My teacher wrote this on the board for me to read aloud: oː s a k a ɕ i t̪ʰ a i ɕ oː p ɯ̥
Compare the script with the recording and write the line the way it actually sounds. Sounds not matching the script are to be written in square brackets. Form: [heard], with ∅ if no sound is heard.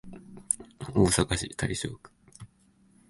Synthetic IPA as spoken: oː s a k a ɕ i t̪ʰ a i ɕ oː [k] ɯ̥

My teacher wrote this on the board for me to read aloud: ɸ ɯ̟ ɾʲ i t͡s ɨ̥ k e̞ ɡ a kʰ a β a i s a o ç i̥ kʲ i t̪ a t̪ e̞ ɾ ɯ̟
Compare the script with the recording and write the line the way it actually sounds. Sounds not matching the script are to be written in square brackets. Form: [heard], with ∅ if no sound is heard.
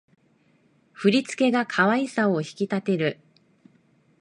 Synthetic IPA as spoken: ɸ ɯ̟ ɾʲ i t͡s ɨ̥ k e̞ ɡ a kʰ a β a i s a o ç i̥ kʲ i t̪ a t̪ e̞ ɾ ɯ̟

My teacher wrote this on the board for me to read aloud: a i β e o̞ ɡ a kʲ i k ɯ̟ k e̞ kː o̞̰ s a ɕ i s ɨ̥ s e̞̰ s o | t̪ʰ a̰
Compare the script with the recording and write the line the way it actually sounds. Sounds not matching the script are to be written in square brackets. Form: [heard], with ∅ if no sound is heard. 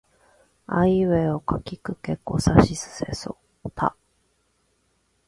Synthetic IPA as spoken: a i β e o̞ [k] a kʲ i k ɯ̟ k e̞ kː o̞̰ s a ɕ i s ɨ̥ s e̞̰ s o | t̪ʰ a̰

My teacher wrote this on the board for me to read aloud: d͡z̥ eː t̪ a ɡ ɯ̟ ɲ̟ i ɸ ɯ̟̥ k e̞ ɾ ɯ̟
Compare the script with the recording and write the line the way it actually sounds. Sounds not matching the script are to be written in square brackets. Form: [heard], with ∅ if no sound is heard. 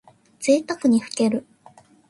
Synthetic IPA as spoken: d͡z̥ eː t̪ a [k] ɯ̟ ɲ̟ i ɸ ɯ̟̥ k e̞ ɾ ɯ̟

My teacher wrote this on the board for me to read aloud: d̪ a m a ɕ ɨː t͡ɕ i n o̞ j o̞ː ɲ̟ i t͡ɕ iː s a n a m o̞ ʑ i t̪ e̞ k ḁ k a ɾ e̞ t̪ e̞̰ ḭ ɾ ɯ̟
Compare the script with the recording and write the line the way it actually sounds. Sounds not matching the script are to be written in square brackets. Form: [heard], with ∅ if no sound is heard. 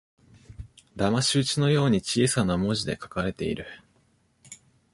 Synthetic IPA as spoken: d̪ a m a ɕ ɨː t͡ɕ i n o̞ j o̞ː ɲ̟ i t͡ɕ iː s a n a m o̞ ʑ i [d̪] e̞ k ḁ k a ɾ e̞ t̪ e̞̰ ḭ ɾ ɯ̟

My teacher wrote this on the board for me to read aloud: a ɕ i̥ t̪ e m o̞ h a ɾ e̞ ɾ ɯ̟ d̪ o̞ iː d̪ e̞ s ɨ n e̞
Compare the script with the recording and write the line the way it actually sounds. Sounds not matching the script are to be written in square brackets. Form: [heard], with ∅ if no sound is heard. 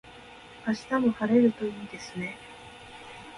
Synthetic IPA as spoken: a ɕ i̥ t̪ [a] m o̞ h a ɾ e̞ ɾ ɯ̟ [t̪] o̞ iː d̪ e̞ s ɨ n e̞

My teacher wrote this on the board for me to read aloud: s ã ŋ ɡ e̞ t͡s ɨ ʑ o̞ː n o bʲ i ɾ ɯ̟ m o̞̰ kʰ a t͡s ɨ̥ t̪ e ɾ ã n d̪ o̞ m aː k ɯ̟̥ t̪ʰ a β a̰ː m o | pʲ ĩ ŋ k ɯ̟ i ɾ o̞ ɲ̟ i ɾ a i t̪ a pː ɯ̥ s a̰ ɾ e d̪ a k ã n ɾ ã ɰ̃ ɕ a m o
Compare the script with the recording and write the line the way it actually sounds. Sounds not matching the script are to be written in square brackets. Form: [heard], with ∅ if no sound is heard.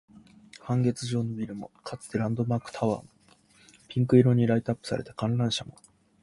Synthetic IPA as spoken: [h] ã ŋ ɡ e̞ t͡s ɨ ʑ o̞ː n o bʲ i ɾ ɯ̟ m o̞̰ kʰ a t͡s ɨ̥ t̪ e ɾ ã n d̪ o̞ m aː k ɯ̟̥ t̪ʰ a β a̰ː m o | pʲ ĩ ŋ k ɯ̟ i ɾ o̞ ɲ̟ i ɾ a i t̪ a pː ɯ̥ s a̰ ɾ e [t̪] a k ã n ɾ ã ɰ̃ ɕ a m o

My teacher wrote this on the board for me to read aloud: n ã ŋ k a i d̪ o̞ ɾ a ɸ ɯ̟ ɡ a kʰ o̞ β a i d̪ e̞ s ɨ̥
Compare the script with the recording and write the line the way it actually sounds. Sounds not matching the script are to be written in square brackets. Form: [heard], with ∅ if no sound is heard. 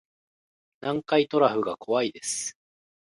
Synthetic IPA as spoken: n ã ŋ k a i [t̪] o̞ ɾ a ɸ ɯ̟ ɡ a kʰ o̞ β a i d̪ e̞ s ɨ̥

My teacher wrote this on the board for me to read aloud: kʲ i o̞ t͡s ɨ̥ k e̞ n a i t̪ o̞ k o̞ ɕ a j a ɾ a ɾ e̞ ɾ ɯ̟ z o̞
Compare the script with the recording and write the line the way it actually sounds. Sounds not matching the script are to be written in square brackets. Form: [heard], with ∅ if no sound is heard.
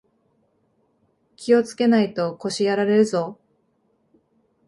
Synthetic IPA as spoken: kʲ i o̞ t͡s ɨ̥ k e̞ n a i t̪ o̞ k o̞ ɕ [i] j a ɾ a ɾ e̞ ɾ ɯ̟ z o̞

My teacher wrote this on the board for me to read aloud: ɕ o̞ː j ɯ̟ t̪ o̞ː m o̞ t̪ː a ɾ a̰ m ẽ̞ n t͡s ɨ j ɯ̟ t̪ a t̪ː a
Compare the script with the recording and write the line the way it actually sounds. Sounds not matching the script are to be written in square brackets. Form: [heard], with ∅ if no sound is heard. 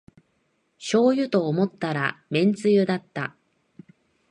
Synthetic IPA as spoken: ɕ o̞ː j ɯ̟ t̪ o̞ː m o̞ t̪ː a ɾ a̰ m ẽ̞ n t͡s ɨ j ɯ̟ [d̪] a t̪ː a

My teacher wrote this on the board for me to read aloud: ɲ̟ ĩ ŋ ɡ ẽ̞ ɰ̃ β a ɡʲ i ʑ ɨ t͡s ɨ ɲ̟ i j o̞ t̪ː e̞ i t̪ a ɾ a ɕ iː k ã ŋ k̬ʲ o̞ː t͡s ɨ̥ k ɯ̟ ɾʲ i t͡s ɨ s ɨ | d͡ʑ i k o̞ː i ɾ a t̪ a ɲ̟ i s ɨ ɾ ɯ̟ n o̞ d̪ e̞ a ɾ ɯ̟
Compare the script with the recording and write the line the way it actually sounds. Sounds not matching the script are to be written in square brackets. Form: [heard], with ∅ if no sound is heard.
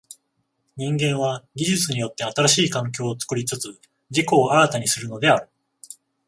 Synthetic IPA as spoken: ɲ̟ ĩ ŋ ɡ ẽ̞ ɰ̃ β a ɡʲ i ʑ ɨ t͡s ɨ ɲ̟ i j o̞ t̪ː e̞ [a] t̪ a ɾ a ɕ iː k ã ŋ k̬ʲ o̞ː t͡s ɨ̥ k ɯ̟ ɾʲ i t͡s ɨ [t͡s] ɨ | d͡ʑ i k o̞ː [a] ɾ a t̪ a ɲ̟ i s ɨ ɾ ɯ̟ n o̞ d̪ e̞ a ɾ ɯ̟

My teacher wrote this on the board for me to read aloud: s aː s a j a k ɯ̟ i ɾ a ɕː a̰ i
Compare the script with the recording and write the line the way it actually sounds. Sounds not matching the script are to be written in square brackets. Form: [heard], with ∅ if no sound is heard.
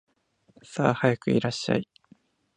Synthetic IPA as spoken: s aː [h] a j a k ɯ̟ i ɾ a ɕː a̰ i

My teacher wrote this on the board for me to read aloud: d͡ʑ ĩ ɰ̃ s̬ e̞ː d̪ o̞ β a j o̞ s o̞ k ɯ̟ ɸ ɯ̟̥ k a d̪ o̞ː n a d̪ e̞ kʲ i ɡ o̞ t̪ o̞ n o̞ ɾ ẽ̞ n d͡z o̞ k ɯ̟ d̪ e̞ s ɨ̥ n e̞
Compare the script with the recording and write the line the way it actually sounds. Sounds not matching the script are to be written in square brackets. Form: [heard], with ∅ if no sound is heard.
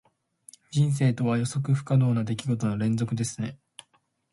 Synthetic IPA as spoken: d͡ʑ ĩ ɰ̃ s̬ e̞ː [t̪] o̞ β a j o̞ s o̞ k ɯ̟ ɸ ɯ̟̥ k a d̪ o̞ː n a d̪ e̞ kʲ i ɡ o̞ t̪ o̞ n o̞ ɾ ẽ̞ n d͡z o̞ k ɯ̟ d̪ e̞ s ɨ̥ n e̞

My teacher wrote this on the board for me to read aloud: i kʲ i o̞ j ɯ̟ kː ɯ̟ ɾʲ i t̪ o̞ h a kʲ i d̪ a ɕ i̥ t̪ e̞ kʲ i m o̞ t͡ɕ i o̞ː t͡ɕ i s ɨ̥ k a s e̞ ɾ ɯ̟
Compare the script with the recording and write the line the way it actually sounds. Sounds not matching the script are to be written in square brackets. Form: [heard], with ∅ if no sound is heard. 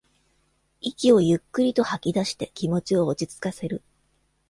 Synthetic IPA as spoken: i kʲ i o̞ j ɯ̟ kː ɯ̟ ɾʲ i t̪ o̞ h a kʲ i d̪ a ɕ i̥ t̪ e̞ kʲ i m o̞ t͡ɕ i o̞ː t͡ɕ i [t͡s] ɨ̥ k a s e̞ ɾ ɯ̟

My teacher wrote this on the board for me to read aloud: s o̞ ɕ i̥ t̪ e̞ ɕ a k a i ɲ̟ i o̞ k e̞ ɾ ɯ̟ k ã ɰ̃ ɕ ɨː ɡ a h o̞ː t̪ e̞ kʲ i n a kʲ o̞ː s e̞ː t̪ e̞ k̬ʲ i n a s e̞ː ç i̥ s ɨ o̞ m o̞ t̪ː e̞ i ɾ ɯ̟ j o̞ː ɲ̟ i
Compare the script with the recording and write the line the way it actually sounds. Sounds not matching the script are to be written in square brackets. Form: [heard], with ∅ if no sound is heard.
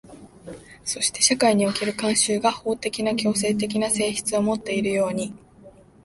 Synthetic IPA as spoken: s o̞ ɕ i̥ t̪ e̞ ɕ a k a i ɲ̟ i o̞ k e̞ ɾ ɯ̟ k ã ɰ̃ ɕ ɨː ɡ a h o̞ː t̪ e̞ kʲ i n a kʲ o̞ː s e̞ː t̪ e̞ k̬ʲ i n a s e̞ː ç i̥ [t͡s] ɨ o̞ m o̞ t̪ː e̞ i ɾ ɯ̟ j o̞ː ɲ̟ i

